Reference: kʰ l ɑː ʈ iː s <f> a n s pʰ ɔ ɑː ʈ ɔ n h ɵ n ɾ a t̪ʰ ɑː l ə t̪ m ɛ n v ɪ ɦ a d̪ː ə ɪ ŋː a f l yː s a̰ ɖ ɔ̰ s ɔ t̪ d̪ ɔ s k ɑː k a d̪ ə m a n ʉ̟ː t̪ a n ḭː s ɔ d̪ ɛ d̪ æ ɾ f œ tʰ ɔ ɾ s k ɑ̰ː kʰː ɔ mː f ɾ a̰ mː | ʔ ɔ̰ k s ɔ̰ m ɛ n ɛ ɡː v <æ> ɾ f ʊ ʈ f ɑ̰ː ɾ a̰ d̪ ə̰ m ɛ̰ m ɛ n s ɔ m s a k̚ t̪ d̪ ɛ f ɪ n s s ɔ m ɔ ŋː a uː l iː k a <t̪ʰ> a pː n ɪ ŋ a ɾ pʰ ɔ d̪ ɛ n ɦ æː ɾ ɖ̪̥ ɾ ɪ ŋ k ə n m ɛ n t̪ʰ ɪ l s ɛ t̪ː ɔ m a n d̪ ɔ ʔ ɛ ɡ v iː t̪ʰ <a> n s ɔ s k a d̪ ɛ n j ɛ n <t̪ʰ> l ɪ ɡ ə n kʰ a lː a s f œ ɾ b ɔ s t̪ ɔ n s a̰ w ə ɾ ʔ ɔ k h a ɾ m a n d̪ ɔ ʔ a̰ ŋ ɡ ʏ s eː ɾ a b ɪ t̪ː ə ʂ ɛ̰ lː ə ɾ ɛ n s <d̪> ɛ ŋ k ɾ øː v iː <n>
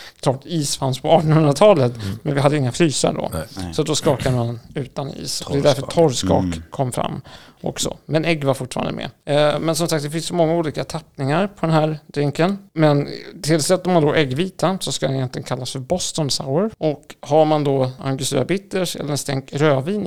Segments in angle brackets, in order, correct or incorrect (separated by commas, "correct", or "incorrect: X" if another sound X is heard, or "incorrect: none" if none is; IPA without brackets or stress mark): correct, incorrect: a, correct, correct, incorrect: t̪, incorrect: t̪, correct